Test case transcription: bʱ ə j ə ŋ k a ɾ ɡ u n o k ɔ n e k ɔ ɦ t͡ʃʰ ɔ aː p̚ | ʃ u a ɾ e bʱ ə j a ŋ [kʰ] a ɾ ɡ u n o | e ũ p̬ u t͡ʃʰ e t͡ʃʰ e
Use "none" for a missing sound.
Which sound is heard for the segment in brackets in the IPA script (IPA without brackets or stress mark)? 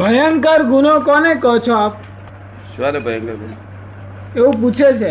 k